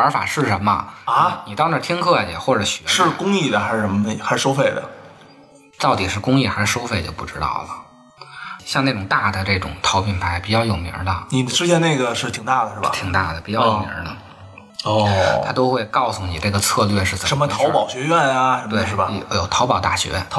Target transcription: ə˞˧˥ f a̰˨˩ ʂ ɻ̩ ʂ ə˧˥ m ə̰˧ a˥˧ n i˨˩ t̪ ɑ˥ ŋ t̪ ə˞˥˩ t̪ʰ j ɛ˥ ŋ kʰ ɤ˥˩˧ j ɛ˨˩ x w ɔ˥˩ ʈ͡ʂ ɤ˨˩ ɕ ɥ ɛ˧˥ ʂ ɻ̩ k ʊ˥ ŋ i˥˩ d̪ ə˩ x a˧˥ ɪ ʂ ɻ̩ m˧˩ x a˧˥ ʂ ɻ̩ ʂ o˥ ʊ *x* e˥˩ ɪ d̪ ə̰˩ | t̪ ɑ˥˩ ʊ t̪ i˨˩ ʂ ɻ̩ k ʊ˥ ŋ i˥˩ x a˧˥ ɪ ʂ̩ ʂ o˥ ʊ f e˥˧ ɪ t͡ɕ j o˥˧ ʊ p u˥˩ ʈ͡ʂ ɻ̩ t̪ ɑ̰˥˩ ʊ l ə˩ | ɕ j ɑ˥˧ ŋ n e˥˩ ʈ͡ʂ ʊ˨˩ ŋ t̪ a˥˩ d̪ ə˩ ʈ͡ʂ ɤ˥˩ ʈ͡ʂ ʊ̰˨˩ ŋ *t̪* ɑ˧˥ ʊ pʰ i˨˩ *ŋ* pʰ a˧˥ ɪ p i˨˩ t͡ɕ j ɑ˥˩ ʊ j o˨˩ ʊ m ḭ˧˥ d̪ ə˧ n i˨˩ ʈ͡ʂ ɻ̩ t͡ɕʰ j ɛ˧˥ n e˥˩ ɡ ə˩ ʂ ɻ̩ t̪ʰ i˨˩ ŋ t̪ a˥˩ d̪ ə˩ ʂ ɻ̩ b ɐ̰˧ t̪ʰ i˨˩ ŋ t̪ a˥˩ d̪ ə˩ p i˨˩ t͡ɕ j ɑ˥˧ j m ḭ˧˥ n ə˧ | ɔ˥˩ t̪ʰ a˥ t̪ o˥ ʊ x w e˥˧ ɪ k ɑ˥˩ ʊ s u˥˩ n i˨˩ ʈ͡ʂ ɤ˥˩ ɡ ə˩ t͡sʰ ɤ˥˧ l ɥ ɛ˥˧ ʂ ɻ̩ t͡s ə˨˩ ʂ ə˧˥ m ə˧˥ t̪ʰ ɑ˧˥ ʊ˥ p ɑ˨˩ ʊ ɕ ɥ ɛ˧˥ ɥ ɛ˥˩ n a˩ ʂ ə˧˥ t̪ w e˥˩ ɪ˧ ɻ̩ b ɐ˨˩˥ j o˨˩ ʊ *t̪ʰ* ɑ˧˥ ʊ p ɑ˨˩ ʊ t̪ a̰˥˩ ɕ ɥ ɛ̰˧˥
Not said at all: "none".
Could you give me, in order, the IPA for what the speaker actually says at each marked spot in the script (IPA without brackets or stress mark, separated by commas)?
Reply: f, t̪ʰ, n, t̪ʰ